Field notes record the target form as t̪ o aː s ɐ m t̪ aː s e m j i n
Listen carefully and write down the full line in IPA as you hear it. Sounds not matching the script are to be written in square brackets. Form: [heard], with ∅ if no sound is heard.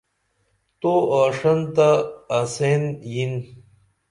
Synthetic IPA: t̪ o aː [ʂ] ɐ [n] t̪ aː s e [n] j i n

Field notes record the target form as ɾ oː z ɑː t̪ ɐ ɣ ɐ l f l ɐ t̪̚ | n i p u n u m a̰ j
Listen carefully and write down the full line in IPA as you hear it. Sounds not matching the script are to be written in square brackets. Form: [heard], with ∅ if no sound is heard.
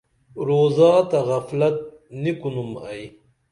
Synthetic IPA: ɾ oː z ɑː t̪ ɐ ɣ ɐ [∅] f l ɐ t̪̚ | n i [k] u n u m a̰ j

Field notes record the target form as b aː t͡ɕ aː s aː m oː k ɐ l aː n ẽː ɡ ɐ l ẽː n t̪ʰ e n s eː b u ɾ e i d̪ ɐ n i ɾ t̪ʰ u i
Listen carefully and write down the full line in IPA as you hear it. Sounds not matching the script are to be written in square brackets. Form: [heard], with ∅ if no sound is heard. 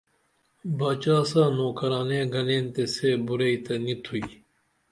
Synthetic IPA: b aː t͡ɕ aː s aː [n] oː k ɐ [ɾ] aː n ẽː ɡ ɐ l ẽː n [t̪] e [∅] s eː b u ɾ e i [t̪] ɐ n i [∅] t̪ʰ u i

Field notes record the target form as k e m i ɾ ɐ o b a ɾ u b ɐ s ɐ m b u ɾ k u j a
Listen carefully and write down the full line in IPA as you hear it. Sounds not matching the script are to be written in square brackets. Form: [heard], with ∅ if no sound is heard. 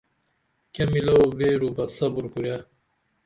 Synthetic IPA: k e m i [l] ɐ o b [e] ɾ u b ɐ s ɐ [∅] b u ɾ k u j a

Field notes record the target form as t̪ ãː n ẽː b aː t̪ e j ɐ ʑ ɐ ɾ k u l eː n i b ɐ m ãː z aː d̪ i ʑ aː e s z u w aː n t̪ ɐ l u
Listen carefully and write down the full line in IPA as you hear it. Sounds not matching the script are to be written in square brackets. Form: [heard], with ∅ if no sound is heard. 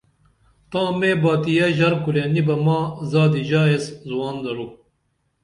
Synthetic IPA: t̪ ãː [m] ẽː b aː t̪ [i] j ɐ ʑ ɐ ɾ k u l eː n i b ɐ m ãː z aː d̪ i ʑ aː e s z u w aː n [d̪] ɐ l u

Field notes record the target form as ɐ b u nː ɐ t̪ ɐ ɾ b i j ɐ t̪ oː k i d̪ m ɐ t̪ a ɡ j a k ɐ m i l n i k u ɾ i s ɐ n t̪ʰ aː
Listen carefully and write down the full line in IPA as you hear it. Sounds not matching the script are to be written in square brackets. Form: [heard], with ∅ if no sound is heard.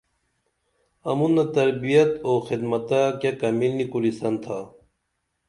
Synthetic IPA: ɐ [m] u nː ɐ t̪ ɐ ɾ b i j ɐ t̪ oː [x] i d̪ m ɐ t̪ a [k] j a k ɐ m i l n i k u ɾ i s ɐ n t̪ʰ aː

